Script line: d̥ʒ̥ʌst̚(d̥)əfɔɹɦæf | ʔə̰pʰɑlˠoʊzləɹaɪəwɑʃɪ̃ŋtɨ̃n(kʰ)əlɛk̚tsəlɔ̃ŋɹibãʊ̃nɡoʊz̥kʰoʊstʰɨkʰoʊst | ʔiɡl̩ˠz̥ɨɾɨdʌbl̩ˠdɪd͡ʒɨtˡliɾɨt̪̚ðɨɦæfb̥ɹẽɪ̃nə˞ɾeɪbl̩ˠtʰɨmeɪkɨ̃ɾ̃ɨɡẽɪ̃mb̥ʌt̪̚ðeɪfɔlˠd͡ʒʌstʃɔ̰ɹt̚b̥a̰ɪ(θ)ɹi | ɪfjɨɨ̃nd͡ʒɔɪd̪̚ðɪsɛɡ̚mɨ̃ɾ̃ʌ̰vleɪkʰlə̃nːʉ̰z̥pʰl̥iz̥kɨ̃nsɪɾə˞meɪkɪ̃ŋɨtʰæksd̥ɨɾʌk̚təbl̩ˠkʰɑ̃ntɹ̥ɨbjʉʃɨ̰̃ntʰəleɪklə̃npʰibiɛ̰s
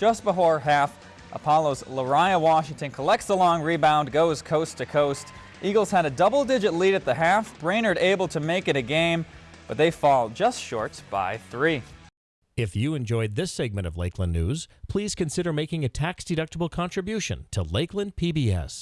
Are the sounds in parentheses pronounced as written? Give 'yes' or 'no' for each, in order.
no, yes, yes

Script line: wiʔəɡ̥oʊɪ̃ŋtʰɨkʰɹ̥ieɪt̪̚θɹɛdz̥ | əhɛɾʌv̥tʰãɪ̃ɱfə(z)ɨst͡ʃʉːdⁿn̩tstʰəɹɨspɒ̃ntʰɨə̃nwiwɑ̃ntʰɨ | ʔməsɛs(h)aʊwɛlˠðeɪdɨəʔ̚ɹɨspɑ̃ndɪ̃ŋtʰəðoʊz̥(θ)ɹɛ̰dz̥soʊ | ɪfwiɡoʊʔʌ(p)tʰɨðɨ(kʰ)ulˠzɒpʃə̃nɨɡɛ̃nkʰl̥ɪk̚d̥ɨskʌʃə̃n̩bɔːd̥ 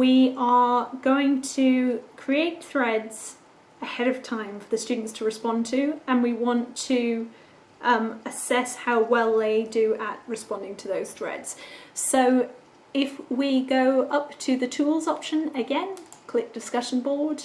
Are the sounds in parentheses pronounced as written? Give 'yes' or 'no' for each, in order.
no, yes, yes, yes, no

